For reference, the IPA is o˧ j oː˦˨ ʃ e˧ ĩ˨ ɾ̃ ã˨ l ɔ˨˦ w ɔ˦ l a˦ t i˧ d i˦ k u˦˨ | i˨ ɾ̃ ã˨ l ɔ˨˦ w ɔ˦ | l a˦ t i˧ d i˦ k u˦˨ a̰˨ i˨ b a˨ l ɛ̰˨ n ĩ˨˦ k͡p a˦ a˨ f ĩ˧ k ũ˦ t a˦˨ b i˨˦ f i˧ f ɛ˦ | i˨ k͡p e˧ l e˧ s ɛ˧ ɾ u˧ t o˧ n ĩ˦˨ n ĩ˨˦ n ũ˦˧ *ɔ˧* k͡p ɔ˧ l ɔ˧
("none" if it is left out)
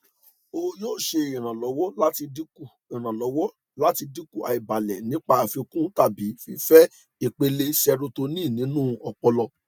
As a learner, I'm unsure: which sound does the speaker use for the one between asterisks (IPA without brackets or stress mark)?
ɔ˧